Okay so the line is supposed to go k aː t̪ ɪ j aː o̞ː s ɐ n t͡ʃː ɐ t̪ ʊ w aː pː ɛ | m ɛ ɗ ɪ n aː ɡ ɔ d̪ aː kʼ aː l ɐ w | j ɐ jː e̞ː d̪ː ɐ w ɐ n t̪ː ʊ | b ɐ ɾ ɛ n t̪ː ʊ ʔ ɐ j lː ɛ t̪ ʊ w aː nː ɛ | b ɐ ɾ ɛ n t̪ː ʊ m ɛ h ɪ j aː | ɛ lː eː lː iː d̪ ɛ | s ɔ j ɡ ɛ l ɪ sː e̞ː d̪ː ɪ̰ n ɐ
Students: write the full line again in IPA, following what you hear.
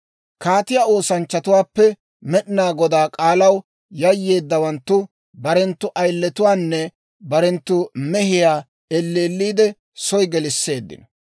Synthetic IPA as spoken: k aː t̪ ɪ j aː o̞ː s ɐ n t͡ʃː ɐ t̪ ʊ w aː pː ɛ | m ɛ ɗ ɪ n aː ɡ ɔ d̪ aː kʼ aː l ɐ w | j ɐ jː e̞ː d̪ː ɐ w ɐ n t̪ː ʊ | b ɐ ɾ ɛ n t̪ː ʊ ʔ ɐ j lː ɛ t̪ ʊ w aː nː ɛ | b ɐ ɾ ɛ n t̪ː ʊ m ɛ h ɪ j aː | ɛ lː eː lː iː d̪ ɛ | s ɔ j ɡ ɛ l ɪ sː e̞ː d̪ː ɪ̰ n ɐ